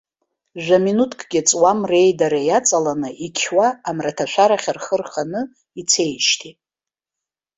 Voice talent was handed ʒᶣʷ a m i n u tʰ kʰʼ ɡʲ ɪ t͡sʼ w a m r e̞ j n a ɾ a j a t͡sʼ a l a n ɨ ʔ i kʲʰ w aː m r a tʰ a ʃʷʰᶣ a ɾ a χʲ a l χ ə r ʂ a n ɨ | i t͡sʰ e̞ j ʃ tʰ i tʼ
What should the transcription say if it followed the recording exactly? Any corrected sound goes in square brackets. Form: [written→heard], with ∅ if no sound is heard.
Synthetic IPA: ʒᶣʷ a m i n u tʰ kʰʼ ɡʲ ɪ t͡sʼ w a m r e̞ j [n→d] a ɾ a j a t͡sʼ a l a n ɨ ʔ i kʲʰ w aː m r a tʰ a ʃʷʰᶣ a ɾ a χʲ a [l→r] χ ə r [ʂ→χ] a n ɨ | i t͡sʰ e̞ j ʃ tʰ i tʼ